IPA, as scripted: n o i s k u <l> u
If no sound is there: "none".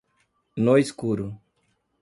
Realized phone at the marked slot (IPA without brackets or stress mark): ɾ